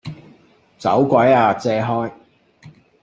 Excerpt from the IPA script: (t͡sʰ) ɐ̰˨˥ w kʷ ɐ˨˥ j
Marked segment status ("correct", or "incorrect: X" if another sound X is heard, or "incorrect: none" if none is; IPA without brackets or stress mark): incorrect: t͡s